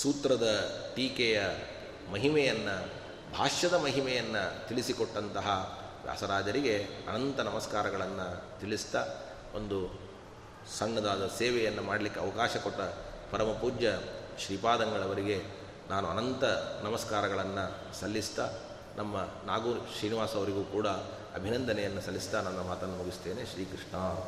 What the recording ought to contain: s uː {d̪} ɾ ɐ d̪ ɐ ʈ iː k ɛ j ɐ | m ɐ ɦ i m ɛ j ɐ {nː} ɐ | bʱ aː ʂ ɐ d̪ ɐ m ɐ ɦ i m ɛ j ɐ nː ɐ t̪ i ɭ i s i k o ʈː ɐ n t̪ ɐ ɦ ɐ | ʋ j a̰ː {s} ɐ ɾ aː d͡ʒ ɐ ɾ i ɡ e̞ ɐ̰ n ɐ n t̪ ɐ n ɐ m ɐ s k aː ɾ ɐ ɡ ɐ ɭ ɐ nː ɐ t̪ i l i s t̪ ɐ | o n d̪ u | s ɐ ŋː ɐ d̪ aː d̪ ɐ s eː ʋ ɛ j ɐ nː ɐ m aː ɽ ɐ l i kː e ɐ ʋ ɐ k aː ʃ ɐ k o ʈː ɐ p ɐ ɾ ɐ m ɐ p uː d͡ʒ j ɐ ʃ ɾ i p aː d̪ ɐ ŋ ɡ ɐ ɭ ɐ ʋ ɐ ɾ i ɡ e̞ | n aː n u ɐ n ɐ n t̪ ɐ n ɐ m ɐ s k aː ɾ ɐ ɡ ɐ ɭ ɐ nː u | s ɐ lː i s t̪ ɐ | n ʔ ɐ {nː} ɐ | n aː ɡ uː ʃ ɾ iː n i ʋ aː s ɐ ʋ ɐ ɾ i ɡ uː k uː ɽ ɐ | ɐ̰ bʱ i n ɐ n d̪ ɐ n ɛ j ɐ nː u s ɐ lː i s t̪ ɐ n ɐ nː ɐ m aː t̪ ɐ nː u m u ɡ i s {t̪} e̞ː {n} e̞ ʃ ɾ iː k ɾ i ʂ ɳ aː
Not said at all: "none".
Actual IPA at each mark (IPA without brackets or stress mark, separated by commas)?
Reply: t̪, nː, s, mː, t̪, n